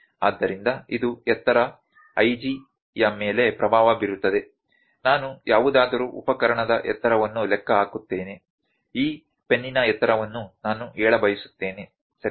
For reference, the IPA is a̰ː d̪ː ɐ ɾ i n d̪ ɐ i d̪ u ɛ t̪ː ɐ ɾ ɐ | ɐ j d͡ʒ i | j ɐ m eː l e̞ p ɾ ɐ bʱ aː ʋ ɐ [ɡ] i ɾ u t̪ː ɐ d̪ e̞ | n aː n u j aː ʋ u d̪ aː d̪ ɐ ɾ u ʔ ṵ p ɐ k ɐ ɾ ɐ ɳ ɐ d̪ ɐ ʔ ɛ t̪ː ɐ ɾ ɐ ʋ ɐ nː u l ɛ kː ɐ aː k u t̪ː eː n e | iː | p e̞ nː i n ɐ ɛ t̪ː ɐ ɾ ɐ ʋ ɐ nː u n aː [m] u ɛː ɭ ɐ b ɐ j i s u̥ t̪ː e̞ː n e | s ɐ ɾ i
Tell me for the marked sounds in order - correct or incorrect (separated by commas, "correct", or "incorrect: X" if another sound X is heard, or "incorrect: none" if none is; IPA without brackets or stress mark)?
incorrect: b, incorrect: n